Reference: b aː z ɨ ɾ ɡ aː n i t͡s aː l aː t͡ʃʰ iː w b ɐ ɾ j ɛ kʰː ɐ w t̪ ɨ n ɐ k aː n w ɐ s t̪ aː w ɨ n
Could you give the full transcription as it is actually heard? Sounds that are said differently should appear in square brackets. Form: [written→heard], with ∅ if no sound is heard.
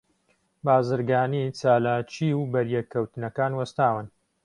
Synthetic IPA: b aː z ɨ ɾ ɡ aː n i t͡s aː l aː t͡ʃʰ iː w b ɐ ɾ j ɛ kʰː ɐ w t̪ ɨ n ɐ k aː n w ɐ s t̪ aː w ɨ n